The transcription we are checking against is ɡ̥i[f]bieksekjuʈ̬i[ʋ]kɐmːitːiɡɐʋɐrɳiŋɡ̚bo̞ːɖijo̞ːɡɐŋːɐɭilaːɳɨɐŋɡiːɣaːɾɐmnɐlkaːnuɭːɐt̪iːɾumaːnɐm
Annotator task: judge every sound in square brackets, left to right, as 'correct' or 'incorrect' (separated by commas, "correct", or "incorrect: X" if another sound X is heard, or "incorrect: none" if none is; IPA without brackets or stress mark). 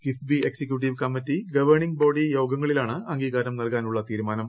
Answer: correct, correct